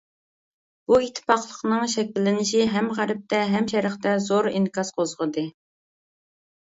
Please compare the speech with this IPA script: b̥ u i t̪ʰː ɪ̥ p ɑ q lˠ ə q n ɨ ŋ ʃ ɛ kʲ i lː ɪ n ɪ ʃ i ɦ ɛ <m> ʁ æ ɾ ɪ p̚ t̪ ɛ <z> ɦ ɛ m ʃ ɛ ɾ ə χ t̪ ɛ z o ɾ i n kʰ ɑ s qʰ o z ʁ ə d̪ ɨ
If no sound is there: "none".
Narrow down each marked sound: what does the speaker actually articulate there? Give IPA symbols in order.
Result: m, none

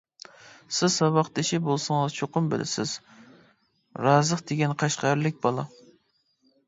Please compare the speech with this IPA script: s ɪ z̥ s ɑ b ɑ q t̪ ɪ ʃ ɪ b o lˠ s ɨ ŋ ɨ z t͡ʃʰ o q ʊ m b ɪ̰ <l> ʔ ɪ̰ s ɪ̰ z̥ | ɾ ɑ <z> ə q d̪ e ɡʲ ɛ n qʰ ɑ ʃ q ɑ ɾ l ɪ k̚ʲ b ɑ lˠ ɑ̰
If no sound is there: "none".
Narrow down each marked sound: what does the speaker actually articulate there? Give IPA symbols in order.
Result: l, z

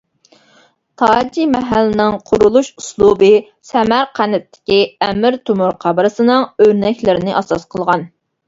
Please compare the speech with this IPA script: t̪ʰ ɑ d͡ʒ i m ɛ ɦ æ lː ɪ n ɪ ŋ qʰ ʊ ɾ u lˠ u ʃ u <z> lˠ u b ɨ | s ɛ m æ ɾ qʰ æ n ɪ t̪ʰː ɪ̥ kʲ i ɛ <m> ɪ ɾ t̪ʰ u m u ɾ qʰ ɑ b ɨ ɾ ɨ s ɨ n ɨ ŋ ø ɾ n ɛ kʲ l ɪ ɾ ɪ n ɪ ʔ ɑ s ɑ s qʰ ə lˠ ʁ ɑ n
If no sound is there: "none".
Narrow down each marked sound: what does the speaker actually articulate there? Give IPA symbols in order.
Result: s, m

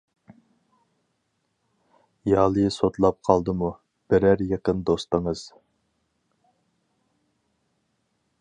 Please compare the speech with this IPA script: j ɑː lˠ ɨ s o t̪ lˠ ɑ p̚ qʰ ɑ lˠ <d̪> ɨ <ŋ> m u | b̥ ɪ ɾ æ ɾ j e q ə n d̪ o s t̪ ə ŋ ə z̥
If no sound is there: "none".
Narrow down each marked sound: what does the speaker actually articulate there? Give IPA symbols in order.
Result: d̪, none

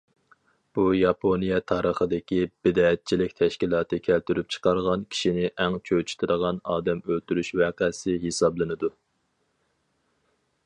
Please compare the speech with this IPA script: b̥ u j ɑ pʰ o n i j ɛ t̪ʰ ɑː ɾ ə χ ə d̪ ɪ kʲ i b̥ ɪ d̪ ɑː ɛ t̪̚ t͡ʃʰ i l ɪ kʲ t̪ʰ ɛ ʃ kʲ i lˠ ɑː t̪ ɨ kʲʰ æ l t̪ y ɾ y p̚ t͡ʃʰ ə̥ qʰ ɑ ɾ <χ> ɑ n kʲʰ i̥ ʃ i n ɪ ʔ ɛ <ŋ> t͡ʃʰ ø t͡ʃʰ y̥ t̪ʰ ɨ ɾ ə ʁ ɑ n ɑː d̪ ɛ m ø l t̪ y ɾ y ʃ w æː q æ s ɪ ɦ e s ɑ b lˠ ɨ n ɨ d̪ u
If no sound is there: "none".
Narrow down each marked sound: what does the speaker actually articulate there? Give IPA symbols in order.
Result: ʁ, ŋ

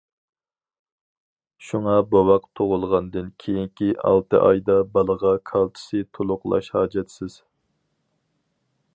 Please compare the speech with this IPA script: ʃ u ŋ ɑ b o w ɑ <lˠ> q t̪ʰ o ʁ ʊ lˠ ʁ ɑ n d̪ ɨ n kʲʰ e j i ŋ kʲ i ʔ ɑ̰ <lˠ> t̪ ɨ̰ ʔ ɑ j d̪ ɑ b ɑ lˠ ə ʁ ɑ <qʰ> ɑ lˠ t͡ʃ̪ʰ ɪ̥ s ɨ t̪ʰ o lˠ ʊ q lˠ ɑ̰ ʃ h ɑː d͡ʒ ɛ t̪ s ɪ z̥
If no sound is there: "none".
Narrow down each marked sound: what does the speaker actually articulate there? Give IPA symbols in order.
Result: none, lˠ, kʰ

